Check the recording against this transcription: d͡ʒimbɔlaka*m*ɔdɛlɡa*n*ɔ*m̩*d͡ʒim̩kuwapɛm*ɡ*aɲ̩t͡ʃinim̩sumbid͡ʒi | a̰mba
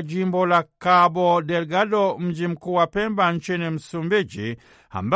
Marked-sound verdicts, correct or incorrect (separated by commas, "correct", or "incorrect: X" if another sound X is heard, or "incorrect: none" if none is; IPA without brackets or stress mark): incorrect: b, incorrect: d, correct, incorrect: b